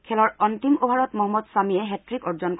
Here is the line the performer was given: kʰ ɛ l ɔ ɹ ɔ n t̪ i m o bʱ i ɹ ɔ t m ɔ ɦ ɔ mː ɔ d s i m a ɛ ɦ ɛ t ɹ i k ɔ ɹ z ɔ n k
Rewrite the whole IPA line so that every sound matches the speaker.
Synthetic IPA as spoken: kʰ ɛ l ɔ ɹ ɔ n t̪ i m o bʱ a ɹ ɔ t m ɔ ɦ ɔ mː ɔ d s a m i ɛ ɦ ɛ t ɹ i k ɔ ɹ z ɔ n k